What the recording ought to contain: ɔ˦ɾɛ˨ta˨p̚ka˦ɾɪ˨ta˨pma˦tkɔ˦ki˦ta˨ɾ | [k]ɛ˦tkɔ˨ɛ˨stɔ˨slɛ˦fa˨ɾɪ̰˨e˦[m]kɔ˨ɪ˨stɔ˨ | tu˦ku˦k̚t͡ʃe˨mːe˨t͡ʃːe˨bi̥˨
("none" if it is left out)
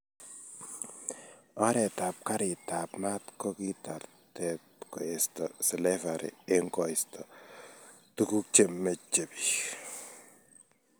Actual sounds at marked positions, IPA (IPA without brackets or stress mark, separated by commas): t, ŋ